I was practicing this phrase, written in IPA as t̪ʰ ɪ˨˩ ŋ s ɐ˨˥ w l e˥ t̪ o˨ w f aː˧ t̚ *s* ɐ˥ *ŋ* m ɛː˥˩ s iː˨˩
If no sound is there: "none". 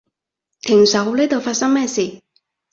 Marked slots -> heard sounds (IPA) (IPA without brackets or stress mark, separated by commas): s, ŋ